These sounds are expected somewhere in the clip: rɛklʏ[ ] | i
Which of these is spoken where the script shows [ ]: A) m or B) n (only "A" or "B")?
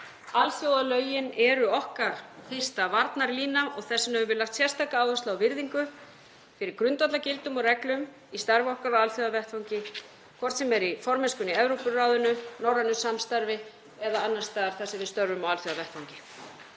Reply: A